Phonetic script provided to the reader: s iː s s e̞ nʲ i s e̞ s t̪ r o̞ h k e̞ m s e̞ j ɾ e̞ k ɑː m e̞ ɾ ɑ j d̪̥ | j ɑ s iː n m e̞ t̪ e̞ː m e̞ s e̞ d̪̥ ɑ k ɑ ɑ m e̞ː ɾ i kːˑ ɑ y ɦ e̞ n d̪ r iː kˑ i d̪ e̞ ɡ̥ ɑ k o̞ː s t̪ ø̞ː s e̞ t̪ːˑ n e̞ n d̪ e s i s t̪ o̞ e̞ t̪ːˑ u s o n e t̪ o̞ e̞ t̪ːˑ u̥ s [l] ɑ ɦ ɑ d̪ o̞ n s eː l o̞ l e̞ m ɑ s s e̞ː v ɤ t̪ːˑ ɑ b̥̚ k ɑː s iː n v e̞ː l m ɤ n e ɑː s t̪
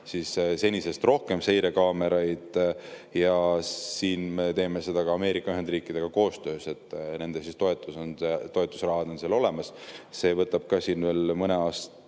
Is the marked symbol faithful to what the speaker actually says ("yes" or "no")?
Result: no